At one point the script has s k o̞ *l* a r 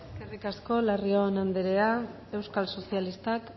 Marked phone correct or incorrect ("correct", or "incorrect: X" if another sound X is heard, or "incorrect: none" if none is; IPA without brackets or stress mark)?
correct